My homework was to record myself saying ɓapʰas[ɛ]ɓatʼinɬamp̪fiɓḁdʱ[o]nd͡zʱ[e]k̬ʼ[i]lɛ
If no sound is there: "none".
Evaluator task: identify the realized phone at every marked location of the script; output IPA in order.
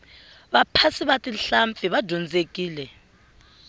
i, ɔ, e, iː

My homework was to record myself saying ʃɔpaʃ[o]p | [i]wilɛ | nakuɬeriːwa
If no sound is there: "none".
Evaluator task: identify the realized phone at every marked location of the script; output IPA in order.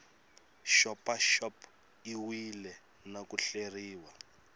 ɔ, i

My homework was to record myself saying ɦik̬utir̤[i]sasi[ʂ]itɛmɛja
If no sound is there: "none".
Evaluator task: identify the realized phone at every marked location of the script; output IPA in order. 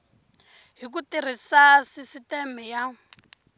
i, s

